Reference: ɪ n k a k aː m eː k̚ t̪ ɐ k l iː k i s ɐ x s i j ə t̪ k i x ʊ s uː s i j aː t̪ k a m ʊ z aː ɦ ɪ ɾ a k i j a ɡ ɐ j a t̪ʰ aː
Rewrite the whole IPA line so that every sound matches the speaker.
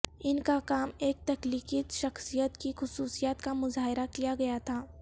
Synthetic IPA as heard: ɪ n k a k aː m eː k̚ t̪ ɐ k l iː k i ʃ ɐ x s i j ə t̪ k i x ʊ s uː s i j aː t̪ k a m ʊ z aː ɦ ɪ ɾ a k i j a ɡ ɐ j a t̪ʰ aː